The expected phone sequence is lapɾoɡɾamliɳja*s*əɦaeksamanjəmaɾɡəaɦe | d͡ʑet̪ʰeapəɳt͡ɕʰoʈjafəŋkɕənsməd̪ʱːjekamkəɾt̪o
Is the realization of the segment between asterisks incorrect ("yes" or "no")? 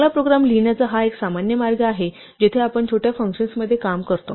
yes